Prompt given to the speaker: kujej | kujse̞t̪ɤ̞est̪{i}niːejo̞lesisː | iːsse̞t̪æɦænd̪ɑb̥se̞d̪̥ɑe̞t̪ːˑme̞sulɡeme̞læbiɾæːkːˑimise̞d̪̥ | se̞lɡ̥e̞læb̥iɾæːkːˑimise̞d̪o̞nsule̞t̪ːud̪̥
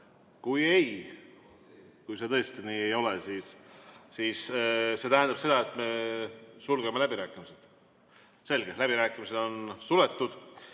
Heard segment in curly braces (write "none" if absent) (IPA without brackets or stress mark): i